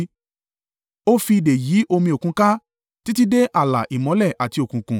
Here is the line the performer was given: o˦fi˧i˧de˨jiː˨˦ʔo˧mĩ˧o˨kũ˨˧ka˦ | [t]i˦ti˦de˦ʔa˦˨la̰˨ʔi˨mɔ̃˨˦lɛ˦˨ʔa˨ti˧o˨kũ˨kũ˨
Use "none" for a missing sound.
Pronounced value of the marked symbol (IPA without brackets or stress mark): t